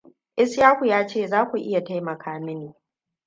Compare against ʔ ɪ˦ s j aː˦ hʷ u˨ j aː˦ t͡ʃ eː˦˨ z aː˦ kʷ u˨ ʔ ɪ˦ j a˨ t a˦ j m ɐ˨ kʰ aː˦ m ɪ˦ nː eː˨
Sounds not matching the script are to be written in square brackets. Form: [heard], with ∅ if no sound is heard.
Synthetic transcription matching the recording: ʔ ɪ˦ s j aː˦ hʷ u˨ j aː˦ t͡ʃ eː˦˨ z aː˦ kʷ u˨ ʔ ɪ˦ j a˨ t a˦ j m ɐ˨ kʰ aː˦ m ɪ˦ [n] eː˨